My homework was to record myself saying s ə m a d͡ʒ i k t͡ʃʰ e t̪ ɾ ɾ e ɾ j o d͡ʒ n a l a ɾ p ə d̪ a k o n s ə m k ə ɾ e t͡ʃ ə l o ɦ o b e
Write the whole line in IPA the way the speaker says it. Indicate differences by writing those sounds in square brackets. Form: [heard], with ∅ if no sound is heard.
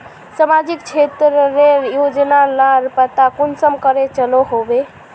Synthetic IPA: s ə m a d͡ʒ i k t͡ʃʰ e t̪ ɾ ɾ e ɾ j o d͡ʒ n a l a ɾ p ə [t̪] a k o n s ə m k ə ɾ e t͡ʃ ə l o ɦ o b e

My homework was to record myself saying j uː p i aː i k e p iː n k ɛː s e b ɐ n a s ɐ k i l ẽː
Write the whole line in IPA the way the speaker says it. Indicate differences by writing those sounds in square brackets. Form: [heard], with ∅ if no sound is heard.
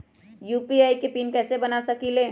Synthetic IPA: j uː p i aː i k e p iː n k ɛː s e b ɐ n a s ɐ k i l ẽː

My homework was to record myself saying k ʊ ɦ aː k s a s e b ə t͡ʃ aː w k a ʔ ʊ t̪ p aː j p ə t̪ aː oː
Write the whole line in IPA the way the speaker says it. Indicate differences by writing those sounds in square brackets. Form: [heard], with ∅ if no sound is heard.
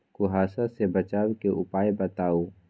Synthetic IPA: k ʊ ɦ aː [∅] s a s e b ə t͡ʃ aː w k [e] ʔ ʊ [∅] p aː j [b] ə t̪ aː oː

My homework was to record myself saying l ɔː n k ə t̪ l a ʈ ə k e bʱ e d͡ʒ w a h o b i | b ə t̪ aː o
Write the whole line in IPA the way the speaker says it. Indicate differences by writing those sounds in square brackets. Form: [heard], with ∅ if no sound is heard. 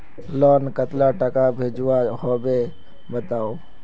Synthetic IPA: l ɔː n k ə t̪ l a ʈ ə k [a] bʱ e d͡ʒ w a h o b [e] | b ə t̪ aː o

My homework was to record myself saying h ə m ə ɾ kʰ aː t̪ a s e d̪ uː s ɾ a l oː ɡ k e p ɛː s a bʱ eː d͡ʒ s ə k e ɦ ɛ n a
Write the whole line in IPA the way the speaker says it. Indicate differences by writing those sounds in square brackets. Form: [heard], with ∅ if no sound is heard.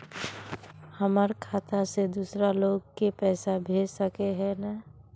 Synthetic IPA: h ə m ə ɾ kʰ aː t̪ a s e d̪ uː s ɾ a l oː ɡ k e p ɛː s a bʱ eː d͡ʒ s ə k e ɦ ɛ n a

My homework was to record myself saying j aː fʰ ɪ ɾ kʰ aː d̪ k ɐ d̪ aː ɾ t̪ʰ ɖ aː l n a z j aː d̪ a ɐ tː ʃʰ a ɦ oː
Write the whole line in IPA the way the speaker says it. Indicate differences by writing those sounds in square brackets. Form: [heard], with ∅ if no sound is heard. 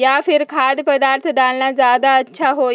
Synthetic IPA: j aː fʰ ɪ ɾ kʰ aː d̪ [p] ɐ d̪ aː ɾ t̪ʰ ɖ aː l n a z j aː d̪ a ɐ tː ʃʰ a ɦ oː

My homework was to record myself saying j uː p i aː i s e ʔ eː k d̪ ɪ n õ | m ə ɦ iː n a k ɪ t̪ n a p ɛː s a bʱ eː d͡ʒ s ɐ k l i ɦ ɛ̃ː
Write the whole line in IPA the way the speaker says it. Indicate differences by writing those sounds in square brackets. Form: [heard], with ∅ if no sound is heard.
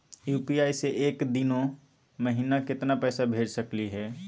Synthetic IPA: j uː p i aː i s e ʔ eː k d̪ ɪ n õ | m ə ɦ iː n a k ɪ t̪ n a p ɛː s a bʱ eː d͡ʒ s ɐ k l i ɦ [ɛː]

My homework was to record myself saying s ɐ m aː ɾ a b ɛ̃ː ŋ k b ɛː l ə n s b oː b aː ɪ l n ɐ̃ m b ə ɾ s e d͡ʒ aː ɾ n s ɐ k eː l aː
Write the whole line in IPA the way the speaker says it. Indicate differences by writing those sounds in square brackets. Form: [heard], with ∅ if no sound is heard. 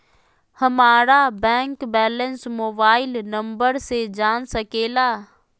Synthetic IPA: [h] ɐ m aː ɾ a b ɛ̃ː ŋ k b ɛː l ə n s [m] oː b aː ɪ l n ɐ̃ m b ə ɾ s e d͡ʒ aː [∅] n s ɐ k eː l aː

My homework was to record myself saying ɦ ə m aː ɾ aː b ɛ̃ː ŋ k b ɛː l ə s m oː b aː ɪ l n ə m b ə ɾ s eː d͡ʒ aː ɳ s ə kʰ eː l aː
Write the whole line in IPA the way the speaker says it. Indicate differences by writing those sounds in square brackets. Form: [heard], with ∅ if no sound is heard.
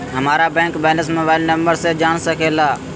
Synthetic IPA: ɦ ə m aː ɾ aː b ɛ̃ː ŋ k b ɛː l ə s m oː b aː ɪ l n ə m b ə ɾ s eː d͡ʒ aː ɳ s ə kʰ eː l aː

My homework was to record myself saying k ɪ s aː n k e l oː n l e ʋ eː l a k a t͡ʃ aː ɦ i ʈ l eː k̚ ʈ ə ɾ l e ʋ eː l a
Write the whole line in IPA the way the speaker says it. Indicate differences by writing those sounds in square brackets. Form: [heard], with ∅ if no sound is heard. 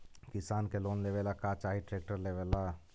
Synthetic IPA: k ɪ s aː n k e l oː n l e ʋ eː l a k a t͡ʃ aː ɦ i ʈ [ɾ] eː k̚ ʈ ə ɾ l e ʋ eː l a

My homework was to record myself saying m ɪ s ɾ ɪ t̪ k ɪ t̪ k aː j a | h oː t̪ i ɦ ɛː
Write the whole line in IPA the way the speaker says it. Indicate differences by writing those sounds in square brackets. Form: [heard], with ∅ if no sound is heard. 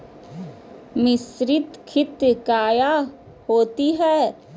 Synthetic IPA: m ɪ s ɾ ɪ t̪ [kʰ] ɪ t̪ k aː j a | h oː t̪ i ɦ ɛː

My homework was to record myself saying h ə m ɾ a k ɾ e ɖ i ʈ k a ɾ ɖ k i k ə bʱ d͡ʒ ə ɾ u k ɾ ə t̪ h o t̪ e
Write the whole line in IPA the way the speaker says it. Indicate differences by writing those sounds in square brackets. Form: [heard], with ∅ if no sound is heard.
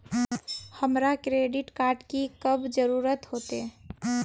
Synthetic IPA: h ə m ɾ a k ɾ e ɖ i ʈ k a ɾ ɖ k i k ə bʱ d͡ʒ ə ɾ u [∅] ɾ ə t̪ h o t̪ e

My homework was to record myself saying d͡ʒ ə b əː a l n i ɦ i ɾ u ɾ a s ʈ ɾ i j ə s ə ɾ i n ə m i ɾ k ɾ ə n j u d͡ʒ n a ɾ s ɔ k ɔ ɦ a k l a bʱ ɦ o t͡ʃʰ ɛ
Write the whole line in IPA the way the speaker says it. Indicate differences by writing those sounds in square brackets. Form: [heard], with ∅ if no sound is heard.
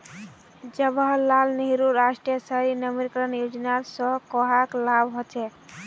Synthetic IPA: d͡ʒ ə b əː a l n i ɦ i ɾ u ɾ a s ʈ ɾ i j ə s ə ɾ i n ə m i ɾ k ɾ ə n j u d͡ʒ n a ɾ s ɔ k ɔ ɦ a k l a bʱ ɦ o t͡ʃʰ ɛ

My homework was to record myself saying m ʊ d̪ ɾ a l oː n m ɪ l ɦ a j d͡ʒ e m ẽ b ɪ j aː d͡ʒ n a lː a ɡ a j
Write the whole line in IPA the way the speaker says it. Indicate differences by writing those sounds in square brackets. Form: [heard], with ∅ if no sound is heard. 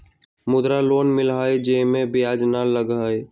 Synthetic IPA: m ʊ d̪ ɾ a l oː n m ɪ l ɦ a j d͡ʒ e m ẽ b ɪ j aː d͡ʒ n a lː [ə] ɡ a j

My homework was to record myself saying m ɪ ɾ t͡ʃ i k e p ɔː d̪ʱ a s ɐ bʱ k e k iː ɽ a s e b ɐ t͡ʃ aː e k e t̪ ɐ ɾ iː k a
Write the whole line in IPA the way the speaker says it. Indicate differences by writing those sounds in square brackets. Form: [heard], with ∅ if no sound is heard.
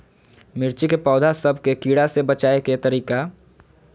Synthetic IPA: m ɪ ɾ t͡ʃ i k e p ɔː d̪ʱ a s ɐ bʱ k e k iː ɽ a s e b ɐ t͡ʃ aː e k e t̪ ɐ ɾ iː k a

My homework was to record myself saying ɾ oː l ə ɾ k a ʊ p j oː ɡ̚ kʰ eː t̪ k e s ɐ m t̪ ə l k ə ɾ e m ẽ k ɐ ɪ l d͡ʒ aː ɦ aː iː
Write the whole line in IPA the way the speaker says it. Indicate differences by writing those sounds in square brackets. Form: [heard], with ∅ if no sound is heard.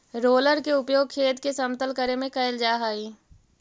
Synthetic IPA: ɾ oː l ə ɾ k [e] ʊ p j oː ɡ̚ kʰ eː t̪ k e s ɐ m t̪ ə l k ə ɾ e m ẽ k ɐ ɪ l d͡ʒ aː ɦ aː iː

